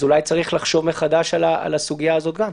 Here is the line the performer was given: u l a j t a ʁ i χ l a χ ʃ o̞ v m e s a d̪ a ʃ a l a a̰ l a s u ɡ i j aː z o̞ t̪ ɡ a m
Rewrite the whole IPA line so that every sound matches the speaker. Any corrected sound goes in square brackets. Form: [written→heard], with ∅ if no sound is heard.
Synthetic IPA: u l a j [t→t͡s] a ʁ i χ l a χ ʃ o̞ v m e [s→χ] a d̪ a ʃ a l a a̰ l a s u ɡ i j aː z o̞ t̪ ɡ a m